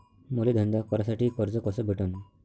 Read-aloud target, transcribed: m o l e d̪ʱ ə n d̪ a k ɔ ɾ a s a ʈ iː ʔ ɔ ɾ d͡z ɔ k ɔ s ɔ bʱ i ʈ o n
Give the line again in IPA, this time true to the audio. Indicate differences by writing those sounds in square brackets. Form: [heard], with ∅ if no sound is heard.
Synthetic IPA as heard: m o l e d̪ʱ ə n d̪ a k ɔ ɾ a s a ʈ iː [k] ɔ ɾ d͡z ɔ k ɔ s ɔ bʱ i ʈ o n